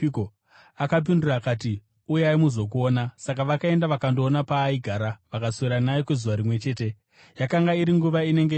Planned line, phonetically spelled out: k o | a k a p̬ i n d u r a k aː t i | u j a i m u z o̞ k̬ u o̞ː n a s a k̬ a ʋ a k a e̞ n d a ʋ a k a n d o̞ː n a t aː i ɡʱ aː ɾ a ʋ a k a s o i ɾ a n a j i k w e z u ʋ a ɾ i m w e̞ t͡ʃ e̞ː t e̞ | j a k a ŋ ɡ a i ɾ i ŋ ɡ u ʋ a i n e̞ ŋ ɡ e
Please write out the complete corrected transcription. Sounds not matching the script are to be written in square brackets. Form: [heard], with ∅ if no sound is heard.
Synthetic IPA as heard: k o | a k a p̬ i n d u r a k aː t i | u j a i m u z o̞ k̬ u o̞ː n a s a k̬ a ʋ a k a e̞ n d a ʋ a k a n d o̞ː n a [p] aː i ɡʱ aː ɾ a ʋ a k a s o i ɾ a n a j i k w e z u ʋ a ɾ i m w e̞ t͡ʃ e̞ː t e̞ | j a k a ŋ ɡ a i ɾ i ŋ ɡ u ʋ a i n e̞ ŋ ɡ e